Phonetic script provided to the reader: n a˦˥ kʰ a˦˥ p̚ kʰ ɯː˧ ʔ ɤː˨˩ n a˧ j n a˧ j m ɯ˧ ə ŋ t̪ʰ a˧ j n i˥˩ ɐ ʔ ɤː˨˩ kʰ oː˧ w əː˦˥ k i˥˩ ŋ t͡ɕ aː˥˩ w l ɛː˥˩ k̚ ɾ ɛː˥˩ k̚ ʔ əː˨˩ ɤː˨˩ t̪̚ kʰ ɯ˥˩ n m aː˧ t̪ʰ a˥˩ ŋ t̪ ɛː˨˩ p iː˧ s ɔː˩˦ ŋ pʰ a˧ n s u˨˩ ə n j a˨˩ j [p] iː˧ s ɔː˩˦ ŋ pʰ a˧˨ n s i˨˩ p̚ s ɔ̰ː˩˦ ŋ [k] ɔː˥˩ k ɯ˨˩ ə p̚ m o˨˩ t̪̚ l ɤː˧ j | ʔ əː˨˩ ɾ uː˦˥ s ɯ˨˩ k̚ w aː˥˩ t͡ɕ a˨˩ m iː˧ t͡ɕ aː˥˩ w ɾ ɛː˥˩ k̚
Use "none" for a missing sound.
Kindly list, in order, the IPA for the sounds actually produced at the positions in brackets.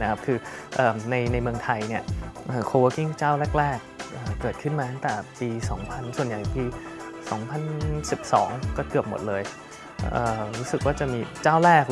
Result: p, k

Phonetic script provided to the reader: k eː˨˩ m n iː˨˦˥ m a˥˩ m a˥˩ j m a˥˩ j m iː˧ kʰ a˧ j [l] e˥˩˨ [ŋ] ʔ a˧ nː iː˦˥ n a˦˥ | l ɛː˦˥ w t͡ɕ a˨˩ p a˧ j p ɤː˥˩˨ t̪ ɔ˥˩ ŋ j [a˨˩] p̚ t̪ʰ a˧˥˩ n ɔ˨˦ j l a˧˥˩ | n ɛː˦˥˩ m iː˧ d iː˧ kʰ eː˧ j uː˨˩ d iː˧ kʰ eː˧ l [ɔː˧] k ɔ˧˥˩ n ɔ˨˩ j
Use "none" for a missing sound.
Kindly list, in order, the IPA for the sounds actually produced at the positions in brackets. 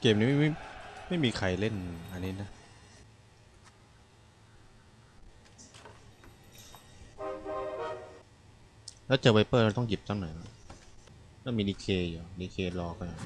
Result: l, n, i˨˩, ɔː˧

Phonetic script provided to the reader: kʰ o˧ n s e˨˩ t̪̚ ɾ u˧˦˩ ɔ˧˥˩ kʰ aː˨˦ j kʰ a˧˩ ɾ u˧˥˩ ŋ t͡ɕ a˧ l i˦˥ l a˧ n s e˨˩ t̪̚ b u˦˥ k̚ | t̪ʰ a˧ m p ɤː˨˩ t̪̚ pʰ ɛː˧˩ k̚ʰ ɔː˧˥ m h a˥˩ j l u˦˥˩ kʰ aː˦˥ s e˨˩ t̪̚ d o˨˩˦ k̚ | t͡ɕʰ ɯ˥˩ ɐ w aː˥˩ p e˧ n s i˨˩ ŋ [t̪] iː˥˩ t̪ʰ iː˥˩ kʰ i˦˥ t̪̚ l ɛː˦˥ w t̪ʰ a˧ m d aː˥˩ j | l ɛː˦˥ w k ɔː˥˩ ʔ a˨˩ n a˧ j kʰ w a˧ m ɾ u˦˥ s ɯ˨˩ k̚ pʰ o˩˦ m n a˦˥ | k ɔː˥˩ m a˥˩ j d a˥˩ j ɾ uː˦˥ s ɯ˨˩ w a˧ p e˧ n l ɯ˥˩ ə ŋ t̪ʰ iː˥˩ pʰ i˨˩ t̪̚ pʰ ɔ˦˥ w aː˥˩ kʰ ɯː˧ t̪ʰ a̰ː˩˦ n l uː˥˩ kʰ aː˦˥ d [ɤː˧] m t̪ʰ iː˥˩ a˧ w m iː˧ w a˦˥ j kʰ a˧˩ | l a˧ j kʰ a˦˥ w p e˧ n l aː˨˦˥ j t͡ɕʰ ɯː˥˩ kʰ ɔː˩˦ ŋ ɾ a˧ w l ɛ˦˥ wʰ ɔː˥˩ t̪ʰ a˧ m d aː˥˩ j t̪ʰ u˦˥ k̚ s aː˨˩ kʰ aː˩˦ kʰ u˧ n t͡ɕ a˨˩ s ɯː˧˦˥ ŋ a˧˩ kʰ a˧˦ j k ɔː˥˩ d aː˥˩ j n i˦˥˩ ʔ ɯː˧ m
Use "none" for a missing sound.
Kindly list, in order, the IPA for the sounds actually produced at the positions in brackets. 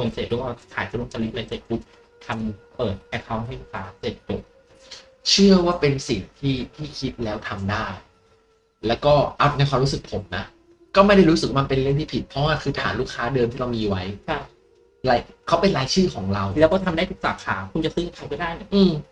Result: t̪ʰ, ɤː˧

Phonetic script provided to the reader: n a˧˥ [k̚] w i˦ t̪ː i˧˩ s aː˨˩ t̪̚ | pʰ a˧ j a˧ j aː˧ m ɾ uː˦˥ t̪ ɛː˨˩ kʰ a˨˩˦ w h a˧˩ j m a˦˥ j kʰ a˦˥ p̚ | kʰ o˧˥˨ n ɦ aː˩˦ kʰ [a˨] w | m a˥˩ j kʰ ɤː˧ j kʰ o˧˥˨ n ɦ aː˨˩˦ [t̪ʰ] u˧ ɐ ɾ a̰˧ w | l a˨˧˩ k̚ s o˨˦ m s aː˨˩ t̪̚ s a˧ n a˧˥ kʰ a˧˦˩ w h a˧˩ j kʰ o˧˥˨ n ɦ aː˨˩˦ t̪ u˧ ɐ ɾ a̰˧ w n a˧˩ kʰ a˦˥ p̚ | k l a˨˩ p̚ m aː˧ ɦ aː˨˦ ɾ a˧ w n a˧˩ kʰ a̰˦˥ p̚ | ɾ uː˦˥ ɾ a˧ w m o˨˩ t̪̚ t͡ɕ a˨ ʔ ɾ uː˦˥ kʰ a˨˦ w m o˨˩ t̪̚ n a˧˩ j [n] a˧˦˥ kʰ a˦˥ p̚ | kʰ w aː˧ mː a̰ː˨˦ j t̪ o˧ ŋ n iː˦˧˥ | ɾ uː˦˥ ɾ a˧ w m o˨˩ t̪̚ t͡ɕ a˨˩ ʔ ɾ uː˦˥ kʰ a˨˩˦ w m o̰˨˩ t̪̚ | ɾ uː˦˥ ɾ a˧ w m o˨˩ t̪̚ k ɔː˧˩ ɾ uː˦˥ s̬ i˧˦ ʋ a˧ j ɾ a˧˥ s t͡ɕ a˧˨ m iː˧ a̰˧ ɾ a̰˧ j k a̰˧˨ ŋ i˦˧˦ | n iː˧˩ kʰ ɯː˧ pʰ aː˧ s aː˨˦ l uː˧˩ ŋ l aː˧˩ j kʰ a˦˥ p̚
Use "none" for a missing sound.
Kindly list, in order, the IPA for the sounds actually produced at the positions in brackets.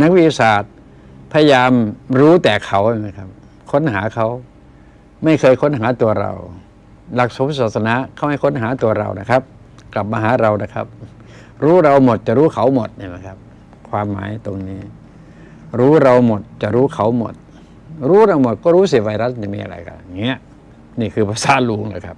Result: k̚, a˦˥, t̪, m

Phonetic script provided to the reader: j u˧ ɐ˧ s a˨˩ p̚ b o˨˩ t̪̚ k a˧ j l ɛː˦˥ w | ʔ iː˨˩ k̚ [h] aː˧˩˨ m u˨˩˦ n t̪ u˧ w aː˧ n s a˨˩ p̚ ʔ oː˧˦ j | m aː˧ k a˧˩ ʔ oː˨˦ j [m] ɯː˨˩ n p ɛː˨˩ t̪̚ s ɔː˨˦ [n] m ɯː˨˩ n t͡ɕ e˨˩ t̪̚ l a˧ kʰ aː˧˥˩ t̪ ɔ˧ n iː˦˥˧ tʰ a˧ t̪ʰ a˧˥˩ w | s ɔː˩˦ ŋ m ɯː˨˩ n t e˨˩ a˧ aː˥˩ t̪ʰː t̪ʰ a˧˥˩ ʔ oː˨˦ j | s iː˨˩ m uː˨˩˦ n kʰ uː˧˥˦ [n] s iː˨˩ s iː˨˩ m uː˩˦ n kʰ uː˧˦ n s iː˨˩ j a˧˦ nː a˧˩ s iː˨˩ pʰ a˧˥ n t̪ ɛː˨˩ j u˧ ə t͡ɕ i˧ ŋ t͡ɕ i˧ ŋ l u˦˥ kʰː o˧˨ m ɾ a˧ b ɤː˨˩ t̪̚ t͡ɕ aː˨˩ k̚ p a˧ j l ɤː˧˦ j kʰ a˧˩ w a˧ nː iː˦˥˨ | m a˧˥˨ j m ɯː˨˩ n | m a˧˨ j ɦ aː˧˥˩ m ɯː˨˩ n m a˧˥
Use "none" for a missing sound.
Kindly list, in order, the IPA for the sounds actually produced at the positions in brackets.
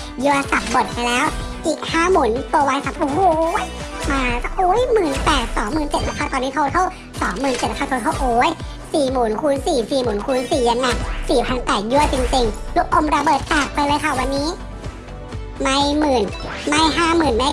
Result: h, m, ŋ, n

